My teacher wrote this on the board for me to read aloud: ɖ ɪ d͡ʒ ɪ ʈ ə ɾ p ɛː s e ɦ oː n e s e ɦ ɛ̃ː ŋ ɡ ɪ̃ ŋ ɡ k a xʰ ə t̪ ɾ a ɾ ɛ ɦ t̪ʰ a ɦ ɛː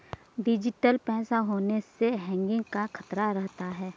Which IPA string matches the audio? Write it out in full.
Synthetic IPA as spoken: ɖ ɪ d͡ʒ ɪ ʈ ə l p ɛː s a ɦ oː n e s e ɦ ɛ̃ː ŋ ɡ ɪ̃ ŋ ɡ k a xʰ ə t̪ ɾ a ɾ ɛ ɦ t̪ a ɦ ɛː